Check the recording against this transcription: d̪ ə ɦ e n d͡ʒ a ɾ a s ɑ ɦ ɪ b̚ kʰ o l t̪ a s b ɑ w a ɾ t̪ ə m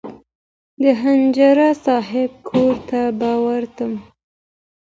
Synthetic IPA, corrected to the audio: d̪ ə ɦ a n d͡ʒ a ɾ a s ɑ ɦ ɪ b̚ kʰ o ɾ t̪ a b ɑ w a ɾ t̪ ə m

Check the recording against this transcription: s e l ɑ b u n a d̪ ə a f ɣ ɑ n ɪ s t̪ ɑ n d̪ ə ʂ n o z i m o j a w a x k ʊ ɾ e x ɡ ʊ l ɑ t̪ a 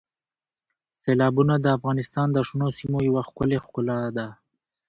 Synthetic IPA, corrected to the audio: s e l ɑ b u n a d̪ ə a f ɣ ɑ n ɪ s t̪ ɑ n d̪ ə ʂ n o s i m o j a w a x k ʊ l e x k ʊ l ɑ d̪ a

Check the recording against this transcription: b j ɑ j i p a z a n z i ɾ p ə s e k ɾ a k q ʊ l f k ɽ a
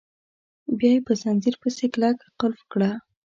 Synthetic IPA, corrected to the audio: b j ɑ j e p ə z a n z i ɾ p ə s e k l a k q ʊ l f k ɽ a

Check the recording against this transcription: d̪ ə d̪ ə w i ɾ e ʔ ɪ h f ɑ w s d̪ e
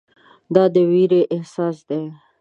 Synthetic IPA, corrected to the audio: d̪ ɑ d̪ ə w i ɾ e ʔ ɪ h s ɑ s d̪ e

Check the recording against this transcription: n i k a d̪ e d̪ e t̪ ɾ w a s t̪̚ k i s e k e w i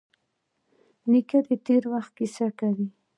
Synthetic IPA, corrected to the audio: n i k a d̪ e t̪ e ɾ w a x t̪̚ k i s a k a w i

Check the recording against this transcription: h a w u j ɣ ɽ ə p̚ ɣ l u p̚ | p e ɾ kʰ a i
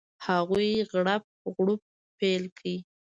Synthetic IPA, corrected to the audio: h a ɣ u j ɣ ɽ a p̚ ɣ ɽ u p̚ | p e l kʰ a i

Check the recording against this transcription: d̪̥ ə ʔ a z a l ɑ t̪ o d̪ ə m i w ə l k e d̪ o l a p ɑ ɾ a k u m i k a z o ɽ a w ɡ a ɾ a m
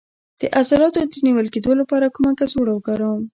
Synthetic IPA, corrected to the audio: d̪̥ ə ʔ a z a l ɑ t̪ o d̪ ə n i w ə l k e d̪ o l a p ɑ ɾ a k u m a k a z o ɽ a w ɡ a ɾ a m

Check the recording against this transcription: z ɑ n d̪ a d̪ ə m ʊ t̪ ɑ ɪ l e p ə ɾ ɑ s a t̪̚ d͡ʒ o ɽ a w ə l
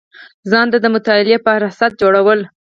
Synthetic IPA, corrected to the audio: z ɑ n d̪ a d̪ ə m ʊ t̪ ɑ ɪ l e p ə ɾ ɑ s a t̪̚ d͡ʒ o ɽ a w ə l

